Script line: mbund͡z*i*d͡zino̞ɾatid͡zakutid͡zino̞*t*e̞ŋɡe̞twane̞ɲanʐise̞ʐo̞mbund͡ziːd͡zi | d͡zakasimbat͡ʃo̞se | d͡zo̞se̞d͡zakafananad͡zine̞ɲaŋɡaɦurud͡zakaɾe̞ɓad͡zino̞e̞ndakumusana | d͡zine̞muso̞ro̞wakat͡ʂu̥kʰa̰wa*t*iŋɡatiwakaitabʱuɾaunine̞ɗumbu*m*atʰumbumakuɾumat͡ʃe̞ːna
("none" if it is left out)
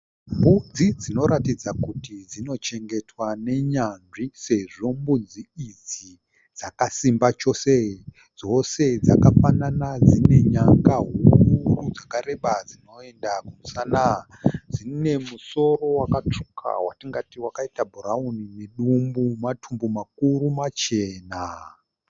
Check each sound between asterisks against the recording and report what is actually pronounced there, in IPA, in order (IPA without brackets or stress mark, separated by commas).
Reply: i, t͡ʃ, t, m